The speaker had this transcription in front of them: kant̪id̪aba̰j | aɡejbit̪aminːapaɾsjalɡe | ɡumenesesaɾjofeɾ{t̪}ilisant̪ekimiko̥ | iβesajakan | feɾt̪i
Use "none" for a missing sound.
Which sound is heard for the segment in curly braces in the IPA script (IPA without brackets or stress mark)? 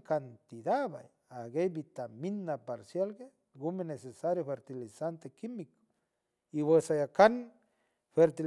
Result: t̪